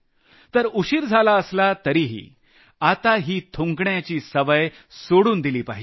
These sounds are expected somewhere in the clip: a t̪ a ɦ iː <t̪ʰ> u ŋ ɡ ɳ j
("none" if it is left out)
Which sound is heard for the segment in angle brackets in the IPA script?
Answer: t̪ʰ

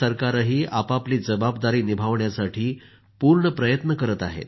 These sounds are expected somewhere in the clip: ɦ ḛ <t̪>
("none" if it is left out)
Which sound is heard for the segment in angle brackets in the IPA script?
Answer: t̪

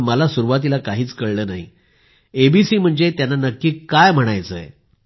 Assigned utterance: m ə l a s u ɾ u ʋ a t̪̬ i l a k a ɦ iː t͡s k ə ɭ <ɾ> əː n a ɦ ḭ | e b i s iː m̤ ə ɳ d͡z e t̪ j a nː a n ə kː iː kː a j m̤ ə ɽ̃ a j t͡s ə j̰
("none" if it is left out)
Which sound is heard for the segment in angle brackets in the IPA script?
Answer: l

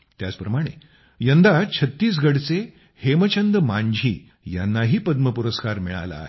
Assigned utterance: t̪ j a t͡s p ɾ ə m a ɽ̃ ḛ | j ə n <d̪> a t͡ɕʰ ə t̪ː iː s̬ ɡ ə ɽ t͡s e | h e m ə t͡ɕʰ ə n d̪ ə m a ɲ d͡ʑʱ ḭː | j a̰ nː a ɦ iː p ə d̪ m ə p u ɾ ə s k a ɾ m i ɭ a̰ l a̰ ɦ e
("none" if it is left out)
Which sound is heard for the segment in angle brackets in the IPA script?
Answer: d̪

